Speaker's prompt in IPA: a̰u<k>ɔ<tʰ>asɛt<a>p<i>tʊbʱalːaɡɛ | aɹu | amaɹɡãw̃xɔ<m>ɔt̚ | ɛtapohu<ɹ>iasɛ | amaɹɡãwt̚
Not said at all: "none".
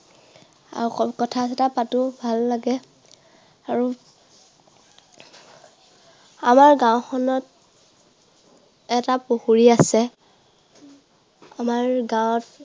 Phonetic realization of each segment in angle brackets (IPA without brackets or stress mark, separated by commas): k, tʰ, a, a, n, ɹ